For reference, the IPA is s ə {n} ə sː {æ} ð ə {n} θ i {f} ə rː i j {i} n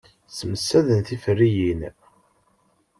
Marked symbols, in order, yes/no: no, yes, yes, yes, yes

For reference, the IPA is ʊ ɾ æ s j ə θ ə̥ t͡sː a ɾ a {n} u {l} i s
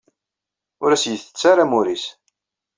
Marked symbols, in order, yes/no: no, no

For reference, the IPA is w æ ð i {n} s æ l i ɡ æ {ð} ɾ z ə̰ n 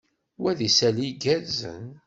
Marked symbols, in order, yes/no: no, no

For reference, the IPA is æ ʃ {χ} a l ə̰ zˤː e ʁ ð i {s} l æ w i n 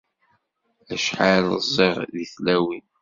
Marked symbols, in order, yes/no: no, no

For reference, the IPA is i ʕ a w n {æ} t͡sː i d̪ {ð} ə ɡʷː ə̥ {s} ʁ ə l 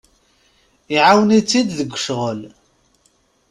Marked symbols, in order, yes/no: no, yes, no

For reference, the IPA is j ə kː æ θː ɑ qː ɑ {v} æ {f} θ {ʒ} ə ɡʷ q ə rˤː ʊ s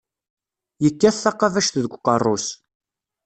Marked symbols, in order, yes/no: yes, no, no

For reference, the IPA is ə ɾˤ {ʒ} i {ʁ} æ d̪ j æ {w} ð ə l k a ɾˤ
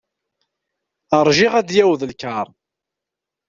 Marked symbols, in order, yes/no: yes, yes, yes

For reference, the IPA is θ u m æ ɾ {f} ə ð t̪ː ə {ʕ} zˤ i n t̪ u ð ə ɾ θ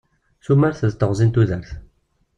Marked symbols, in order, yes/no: no, no

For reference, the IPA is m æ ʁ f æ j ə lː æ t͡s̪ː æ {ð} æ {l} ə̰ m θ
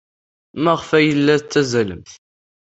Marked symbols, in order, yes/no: no, yes

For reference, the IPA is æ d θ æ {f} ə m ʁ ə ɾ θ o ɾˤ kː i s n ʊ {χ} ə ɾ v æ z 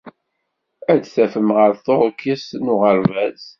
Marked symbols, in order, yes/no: yes, no

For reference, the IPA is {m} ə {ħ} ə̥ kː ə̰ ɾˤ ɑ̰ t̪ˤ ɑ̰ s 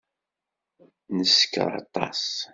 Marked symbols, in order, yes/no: no, no

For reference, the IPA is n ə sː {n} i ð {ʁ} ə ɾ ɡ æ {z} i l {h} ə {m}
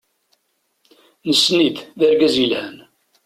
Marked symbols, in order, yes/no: yes, no, yes, yes, no

